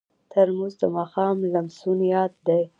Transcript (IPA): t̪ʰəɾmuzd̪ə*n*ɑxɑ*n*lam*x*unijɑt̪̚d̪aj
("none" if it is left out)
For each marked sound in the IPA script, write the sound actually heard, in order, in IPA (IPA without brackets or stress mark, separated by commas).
m, m, s